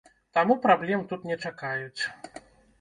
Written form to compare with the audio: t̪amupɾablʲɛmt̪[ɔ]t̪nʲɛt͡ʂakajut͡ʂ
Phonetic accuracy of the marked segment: incorrect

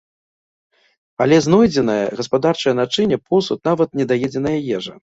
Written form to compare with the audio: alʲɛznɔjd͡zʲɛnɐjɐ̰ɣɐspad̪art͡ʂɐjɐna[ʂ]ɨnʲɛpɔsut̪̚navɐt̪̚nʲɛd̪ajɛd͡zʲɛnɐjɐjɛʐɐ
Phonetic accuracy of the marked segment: incorrect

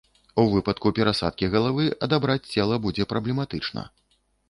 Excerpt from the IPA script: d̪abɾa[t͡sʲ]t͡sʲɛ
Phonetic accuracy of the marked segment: correct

